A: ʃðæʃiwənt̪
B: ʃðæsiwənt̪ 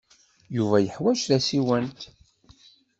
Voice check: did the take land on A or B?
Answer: B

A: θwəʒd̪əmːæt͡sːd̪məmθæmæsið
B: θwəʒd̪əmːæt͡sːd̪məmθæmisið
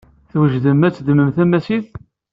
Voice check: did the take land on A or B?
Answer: A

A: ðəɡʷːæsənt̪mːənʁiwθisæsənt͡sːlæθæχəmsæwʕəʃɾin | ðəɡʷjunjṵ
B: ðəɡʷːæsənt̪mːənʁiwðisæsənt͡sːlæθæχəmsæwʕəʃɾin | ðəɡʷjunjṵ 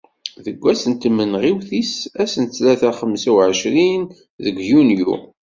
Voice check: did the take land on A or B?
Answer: A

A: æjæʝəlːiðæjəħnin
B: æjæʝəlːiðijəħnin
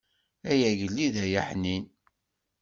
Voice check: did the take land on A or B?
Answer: A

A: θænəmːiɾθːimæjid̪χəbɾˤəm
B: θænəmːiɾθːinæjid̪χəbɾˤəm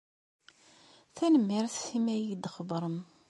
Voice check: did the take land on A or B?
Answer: A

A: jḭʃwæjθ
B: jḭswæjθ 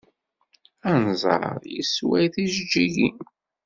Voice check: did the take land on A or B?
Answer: B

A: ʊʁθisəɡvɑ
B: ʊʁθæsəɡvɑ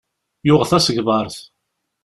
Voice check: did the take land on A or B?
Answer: B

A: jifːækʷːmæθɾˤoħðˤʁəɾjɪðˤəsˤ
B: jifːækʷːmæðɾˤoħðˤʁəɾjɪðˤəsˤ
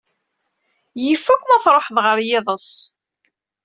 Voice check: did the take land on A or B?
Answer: A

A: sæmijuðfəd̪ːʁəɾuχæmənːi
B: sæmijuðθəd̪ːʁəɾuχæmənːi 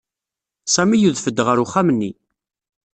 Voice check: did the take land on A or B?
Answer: A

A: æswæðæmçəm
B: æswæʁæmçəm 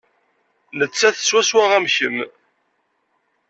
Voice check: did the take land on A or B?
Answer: B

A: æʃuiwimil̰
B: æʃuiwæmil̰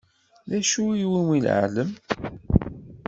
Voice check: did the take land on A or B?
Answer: A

